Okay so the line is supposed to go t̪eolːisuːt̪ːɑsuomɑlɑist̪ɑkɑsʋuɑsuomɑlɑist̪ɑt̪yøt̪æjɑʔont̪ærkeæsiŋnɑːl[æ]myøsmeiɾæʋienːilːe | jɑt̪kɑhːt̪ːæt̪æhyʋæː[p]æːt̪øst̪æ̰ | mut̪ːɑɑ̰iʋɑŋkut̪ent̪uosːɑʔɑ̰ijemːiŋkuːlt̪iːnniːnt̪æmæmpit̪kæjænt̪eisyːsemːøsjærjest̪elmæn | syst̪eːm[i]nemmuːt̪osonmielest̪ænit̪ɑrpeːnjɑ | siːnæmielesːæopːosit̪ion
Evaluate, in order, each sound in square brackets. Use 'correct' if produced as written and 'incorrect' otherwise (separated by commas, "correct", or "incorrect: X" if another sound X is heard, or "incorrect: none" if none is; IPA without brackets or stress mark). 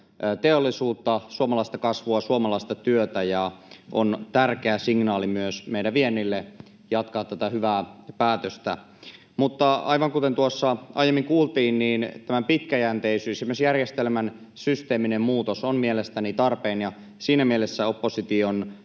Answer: incorrect: i, correct, correct